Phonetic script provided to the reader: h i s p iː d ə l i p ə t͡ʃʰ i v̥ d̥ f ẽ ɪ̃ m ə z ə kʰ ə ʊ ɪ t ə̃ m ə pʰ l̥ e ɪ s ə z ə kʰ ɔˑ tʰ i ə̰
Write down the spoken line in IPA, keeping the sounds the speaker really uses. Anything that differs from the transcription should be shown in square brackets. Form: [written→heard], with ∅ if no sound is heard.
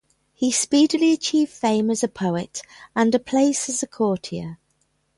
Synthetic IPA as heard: h i s p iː d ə l i [p→∅] ə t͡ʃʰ [i→iː] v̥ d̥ f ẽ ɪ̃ m ə z ə [kʰ→pʰ] ə ʊ ɪ t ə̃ [m→n] ə pʰ l̥ e ɪ s ə z ə kʰ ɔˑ tʰ i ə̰